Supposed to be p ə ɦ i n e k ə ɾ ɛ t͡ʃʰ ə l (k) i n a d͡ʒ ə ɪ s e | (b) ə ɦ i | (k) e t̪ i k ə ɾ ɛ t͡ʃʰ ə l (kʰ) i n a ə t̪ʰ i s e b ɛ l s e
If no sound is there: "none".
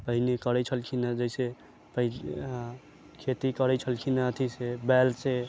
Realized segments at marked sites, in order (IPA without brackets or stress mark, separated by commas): kʰ, p, kʰ, kʰ